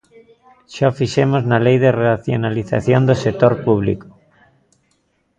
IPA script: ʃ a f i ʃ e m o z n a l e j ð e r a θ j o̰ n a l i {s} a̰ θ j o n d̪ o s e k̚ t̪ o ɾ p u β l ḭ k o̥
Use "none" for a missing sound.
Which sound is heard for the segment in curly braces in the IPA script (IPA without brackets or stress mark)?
θ